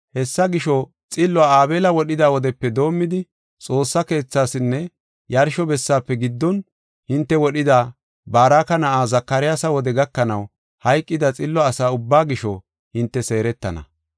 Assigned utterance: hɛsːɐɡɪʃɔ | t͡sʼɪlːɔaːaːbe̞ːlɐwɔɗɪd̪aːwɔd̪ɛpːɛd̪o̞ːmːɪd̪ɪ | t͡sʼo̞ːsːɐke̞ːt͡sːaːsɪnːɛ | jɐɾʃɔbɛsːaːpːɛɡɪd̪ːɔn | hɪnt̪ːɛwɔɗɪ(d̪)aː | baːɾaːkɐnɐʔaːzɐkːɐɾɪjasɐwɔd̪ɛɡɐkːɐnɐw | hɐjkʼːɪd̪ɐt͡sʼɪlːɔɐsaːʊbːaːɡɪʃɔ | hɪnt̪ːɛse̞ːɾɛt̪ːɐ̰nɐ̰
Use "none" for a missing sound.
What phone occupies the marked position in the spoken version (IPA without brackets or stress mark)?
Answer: d̪